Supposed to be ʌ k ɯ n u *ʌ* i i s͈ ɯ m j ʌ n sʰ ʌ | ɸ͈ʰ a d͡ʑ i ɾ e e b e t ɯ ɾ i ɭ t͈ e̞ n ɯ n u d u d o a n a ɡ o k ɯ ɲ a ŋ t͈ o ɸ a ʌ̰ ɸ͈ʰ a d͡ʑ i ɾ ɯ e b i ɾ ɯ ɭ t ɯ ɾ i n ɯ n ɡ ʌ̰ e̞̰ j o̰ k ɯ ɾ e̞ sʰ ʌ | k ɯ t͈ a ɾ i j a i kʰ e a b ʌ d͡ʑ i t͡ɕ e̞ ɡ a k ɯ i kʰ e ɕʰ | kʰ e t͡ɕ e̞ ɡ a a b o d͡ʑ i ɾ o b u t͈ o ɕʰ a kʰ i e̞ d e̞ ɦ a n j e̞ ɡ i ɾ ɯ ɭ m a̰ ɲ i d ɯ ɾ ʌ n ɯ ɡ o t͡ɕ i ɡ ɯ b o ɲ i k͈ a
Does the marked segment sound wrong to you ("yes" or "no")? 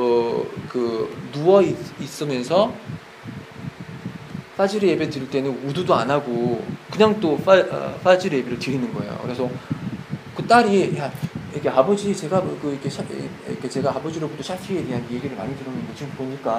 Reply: no